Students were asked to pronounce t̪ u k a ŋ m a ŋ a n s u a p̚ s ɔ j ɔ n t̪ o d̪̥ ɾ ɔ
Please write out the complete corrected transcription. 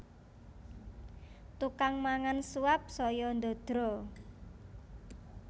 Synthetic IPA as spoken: t̪ u k a ŋ m a ŋ a n s u a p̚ s ɔ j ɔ n d̪ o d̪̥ ɾ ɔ